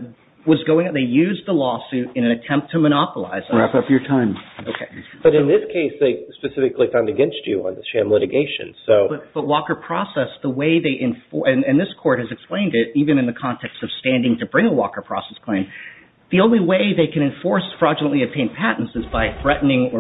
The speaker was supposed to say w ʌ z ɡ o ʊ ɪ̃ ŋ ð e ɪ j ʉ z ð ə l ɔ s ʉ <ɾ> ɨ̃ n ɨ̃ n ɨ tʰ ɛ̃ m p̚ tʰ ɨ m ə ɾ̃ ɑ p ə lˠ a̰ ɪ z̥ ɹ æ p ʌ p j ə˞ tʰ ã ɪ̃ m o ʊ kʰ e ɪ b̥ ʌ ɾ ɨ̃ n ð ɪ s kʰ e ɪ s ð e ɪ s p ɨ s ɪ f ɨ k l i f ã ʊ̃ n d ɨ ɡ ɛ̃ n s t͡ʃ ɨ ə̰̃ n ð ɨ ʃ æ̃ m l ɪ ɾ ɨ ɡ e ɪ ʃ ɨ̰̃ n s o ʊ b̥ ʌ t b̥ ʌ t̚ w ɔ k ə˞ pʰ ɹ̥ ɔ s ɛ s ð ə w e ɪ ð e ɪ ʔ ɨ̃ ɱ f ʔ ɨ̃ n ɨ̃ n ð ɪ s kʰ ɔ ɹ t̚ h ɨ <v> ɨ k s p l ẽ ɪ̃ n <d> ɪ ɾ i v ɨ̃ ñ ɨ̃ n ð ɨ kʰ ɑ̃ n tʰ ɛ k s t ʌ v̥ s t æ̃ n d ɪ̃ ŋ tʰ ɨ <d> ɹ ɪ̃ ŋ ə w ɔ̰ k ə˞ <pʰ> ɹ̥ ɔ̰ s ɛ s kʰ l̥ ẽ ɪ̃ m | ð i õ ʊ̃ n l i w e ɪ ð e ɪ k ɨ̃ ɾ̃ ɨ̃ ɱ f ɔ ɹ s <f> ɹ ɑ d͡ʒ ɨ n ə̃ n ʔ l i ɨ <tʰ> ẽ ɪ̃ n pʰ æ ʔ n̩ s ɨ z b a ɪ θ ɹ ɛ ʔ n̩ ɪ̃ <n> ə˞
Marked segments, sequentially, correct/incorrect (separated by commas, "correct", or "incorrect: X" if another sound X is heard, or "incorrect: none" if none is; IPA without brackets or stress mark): correct, incorrect: z, correct, incorrect: b, correct, correct, correct, incorrect: ŋ